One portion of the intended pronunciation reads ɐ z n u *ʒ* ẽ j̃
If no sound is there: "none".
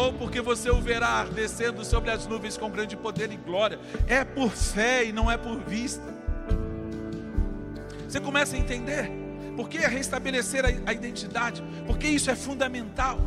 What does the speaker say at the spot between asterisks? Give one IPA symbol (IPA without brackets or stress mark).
v